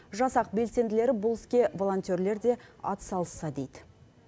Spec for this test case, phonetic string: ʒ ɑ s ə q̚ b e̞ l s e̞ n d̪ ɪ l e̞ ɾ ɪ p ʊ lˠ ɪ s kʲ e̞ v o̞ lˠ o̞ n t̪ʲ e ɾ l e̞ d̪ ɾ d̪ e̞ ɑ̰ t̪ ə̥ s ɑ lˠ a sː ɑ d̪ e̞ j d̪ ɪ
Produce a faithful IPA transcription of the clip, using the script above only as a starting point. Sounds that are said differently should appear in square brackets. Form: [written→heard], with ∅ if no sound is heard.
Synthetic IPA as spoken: ʒ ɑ s [ə→ɑ] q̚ b e̞ l s e̞ n d̪ ɪ l e̞ ɾ ɪ [p→b] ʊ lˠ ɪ s kʲ e̞ v o̞ lˠ o̞ n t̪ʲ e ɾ l e̞ [d̪→∅] ɾ d̪ e̞ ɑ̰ t̪ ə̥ s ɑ lˠ [a→ə] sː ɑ d̪ e̞ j d̪ ɪ